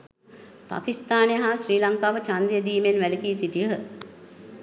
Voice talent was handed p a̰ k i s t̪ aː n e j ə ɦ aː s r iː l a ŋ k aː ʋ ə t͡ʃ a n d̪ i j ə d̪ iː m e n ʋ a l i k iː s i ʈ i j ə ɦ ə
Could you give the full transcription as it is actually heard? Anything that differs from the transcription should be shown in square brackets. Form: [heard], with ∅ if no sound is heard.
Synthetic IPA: p a̰ k i s t̪ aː n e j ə ɦ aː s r iː l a ŋ k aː ʋ ə t͡ʃ a n d̪ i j ə d̪ iː m e n ʋ [æ] l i k iː s i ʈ i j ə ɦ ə